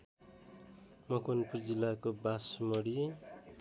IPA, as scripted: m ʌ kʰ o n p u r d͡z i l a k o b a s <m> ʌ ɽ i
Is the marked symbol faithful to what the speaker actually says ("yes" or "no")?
yes